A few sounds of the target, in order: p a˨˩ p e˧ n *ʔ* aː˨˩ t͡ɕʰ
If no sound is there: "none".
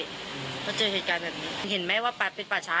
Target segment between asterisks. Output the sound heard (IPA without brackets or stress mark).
p